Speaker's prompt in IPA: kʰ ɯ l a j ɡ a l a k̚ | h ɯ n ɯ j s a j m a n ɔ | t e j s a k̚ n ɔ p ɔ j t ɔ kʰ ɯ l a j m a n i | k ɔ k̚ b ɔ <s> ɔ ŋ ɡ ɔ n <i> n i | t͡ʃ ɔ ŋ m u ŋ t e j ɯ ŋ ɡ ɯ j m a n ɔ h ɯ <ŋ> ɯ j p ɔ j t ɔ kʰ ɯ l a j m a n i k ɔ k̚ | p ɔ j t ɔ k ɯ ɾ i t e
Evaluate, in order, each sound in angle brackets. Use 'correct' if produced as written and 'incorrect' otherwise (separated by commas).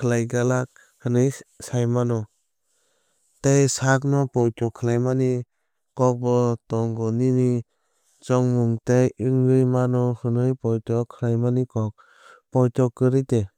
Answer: incorrect, correct, incorrect